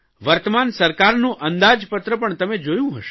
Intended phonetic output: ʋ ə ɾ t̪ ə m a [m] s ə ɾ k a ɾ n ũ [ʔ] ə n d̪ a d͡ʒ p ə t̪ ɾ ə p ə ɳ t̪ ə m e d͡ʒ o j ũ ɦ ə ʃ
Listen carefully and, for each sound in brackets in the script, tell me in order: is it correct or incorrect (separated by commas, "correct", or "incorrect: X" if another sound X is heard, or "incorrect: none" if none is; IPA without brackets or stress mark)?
incorrect: n, correct